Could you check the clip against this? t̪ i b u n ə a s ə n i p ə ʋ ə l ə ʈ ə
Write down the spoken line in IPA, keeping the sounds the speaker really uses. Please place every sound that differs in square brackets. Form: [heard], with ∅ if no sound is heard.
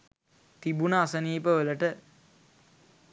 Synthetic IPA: t̪ i b u n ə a s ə n [iː] p ə ʋ ə l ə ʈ ə